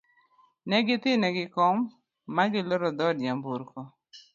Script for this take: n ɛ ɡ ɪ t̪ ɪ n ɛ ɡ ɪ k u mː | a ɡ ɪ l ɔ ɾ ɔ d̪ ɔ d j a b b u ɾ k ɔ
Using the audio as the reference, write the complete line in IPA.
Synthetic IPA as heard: n ɛ ɡ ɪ t̪ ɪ n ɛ ɡ ɪ k ɔ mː | a ɡ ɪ l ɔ ɾ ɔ d̪ ɔ d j a m b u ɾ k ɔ